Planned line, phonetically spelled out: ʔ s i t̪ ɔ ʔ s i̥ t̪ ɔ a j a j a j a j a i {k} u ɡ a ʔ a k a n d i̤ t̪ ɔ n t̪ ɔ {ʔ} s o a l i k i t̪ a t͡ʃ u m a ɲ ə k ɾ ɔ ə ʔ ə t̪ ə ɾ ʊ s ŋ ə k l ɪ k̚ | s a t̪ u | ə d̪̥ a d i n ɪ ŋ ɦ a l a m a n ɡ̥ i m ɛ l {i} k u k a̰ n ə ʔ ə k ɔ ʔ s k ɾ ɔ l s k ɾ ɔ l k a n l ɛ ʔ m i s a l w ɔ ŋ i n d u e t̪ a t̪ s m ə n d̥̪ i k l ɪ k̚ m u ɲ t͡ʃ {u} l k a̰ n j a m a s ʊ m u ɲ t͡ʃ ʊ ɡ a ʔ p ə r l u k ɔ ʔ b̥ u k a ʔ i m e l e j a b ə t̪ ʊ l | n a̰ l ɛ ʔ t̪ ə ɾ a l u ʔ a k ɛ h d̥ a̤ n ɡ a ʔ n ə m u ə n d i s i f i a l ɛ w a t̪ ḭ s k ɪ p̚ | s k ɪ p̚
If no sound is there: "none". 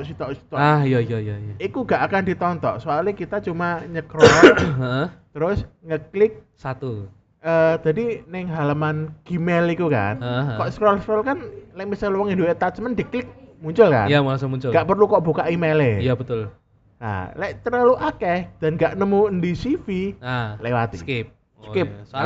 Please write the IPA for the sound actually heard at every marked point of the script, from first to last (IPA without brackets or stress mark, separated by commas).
k, ʔ, i, ʊ